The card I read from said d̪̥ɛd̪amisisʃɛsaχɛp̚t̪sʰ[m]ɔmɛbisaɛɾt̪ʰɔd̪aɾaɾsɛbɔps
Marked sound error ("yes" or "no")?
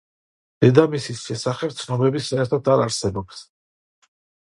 yes